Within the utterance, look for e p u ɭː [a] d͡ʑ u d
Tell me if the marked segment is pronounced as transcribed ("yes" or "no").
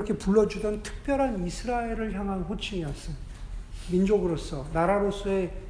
no